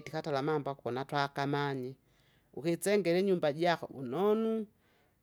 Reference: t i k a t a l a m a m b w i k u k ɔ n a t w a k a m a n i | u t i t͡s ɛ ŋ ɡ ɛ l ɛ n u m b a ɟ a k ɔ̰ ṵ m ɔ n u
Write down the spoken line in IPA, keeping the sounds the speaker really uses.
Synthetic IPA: t i k a t a l a m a m b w a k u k ɔ n a t w a k a m a ɲ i | u k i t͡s ɛ ŋ ɡ ɛ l ɛ ɲ u m b a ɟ a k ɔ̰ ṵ n ɔ n u